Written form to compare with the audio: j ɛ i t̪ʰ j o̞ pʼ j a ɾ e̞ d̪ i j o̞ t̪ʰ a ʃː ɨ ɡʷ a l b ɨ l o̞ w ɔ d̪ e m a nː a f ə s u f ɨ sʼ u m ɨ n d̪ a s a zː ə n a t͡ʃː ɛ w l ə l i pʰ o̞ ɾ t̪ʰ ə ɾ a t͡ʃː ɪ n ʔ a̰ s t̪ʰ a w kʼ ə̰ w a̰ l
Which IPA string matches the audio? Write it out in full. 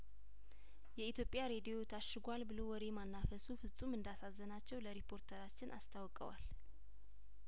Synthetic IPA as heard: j ɛ i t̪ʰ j o̞ pʼ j a ɾ e̞ d̪ i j o̞ t̪ʰ a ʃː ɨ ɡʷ a l b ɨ l o̞ w ɔ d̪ e m a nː a f ə s u f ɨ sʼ u m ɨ n d̪ a s a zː ə n a t͡ʃː ɛ w l ə ɾ i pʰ o̞ ɾ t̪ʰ ə ɾ a t͡ʃː ɪ n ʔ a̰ s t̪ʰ a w kʼ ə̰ w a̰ l